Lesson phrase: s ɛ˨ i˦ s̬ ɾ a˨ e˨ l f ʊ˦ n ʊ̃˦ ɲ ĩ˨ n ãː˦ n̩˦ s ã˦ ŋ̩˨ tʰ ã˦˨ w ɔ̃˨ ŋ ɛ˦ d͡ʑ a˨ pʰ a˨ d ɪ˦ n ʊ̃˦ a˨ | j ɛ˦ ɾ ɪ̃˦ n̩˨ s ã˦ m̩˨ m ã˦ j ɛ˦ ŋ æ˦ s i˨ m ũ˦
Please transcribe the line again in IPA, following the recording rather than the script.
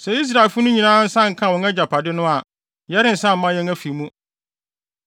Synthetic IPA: s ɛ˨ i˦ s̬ ɾ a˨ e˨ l f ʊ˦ n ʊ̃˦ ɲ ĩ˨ n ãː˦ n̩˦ s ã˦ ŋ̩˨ kʰ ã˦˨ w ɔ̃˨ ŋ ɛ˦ d͡ʑ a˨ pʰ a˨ d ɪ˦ n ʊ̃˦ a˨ | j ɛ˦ ɾ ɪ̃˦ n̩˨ s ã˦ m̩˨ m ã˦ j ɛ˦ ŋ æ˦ f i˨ m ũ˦